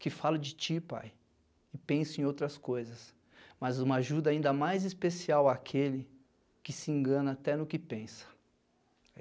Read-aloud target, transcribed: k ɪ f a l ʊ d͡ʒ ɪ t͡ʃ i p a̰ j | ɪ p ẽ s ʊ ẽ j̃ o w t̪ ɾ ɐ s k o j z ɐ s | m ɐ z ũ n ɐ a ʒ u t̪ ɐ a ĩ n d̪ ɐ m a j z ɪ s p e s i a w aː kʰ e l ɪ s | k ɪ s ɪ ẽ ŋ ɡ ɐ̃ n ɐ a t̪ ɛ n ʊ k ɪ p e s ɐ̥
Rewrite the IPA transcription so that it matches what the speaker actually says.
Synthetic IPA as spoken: k ɪ f a l ʊ d͡ʒ ɪ t͡ʃ i p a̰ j | ɪ p ẽ s ʊ ẽ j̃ o w t̪ ɾ ɐ s k o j z ɐ s | m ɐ z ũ m ɐ a ʒ u d̪ ɐ a ĩ n d̪ ɐ m a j z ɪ s p e s i a w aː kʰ e l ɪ | k ɪ s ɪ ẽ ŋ ɡ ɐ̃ n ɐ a t̪ ɛ n ʊ k ɪ p ẽ s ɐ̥